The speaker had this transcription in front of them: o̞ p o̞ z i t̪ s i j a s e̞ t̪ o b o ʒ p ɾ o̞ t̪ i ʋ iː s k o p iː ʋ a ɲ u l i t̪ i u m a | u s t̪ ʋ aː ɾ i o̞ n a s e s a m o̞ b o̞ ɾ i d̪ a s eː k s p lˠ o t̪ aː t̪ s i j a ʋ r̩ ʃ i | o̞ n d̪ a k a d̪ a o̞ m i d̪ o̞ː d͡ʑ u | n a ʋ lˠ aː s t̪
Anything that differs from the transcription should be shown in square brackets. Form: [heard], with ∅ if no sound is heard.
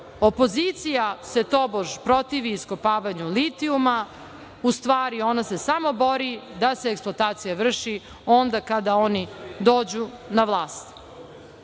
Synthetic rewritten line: o̞ p o̞ z i t̪ s i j a s e̞ t̪ o b o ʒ p ɾ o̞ t̪ i ʋ iː s k o p [aː] ʋ a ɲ u l i t̪ i u m a | u s t̪ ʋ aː ɾ i o̞ n a s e s a m o̞ b o̞ ɾ i d̪ a s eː k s p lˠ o t̪ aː t̪ s i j a ʋ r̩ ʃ i | o̞ n d̪ a k a d̪ a o̞ [n] i d̪ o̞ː d͡ʑ u | n a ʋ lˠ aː s t̪